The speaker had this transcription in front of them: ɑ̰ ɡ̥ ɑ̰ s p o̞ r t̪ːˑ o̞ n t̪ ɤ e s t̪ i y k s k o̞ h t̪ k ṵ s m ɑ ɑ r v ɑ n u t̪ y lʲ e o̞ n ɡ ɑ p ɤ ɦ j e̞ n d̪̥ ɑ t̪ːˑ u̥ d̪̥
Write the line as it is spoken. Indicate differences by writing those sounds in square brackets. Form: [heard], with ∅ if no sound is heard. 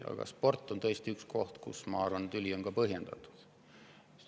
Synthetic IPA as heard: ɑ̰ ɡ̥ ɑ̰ s p o̞ r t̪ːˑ o̞ n t̪ ɤ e s t̪ i y k s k o̞ h t̪ k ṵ s m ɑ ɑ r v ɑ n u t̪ y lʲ [i] o̞ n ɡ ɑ p ɤ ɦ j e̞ n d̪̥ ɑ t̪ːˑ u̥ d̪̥